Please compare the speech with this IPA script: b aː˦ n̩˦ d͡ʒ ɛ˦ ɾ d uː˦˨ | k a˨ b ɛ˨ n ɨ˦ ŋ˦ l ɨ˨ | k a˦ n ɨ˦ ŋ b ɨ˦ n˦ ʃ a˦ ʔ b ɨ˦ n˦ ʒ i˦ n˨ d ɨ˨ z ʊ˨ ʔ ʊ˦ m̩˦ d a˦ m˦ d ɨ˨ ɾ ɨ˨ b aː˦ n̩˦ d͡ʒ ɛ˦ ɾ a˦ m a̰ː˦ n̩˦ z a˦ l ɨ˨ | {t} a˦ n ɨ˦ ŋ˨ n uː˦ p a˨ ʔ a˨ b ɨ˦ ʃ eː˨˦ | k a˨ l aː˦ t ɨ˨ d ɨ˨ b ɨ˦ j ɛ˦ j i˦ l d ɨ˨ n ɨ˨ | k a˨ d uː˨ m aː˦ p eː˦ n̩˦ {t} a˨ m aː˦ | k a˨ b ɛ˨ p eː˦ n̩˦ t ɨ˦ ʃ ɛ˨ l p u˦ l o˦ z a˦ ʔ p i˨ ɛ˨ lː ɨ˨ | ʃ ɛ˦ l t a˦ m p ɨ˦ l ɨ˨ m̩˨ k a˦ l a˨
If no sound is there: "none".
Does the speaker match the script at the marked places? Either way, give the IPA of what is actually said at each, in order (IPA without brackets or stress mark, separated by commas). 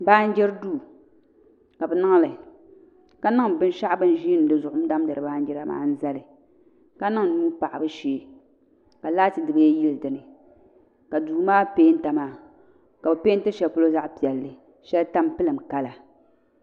k, t